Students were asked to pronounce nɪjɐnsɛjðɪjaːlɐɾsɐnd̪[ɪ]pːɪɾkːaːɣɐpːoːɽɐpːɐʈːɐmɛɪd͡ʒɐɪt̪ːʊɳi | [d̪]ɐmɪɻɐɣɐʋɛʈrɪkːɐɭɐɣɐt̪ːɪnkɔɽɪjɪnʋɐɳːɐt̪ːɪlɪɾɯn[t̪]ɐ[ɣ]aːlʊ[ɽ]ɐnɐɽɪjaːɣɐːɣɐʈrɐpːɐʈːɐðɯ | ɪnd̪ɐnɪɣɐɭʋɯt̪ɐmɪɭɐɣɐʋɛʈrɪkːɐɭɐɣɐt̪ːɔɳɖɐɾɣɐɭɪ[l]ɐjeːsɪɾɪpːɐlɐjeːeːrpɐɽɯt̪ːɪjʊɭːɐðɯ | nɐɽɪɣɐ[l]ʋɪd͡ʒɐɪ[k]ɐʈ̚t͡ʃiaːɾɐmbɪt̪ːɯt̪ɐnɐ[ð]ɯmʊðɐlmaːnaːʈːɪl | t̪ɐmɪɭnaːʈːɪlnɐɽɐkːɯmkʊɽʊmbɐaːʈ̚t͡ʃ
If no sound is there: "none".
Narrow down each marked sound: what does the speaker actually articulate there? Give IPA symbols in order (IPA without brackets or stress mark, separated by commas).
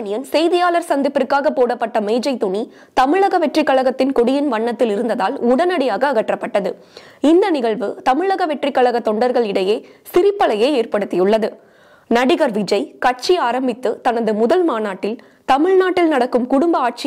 ɪ, t̪, d̪, ð, ɽ, ɽ, ɾ, k, ð